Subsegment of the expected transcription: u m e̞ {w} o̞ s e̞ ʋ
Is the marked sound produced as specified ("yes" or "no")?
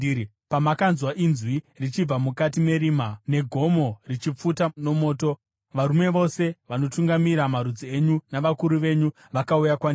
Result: no